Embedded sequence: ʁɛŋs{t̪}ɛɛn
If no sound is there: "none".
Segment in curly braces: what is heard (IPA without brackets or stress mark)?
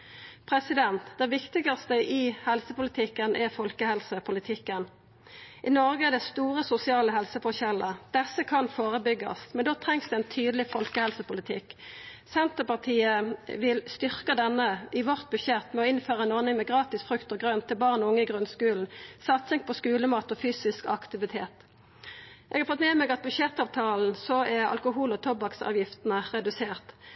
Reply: d̪